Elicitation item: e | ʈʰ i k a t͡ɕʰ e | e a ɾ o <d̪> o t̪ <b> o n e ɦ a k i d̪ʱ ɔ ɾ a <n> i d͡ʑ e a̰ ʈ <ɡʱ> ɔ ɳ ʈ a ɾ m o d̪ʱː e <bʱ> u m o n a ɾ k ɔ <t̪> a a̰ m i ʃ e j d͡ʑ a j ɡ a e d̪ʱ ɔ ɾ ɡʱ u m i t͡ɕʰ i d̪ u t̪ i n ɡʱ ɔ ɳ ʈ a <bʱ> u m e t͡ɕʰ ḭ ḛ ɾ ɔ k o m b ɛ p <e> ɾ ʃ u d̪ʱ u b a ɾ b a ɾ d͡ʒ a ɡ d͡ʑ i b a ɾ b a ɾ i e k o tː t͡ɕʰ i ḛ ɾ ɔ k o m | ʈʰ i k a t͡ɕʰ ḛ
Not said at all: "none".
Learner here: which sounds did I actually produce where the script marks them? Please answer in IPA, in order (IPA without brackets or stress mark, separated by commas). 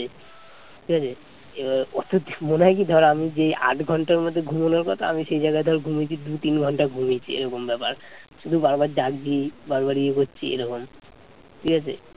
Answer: t̪, m, m, ɡʱ, ɡʱ, t̪ʰ, ɡʱ, a